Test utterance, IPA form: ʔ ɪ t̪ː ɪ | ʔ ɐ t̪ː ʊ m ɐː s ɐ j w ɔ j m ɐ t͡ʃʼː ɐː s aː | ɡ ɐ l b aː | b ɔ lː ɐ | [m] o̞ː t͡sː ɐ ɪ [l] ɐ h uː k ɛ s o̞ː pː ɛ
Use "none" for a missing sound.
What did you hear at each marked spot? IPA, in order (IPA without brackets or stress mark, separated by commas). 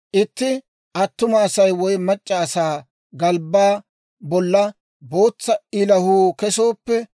b, l